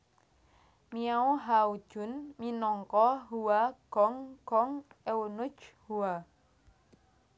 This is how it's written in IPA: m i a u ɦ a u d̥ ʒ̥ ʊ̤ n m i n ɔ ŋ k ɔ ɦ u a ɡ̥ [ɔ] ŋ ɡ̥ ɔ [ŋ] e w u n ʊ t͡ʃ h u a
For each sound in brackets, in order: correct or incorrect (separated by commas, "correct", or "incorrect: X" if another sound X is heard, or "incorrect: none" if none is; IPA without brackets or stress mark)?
correct, correct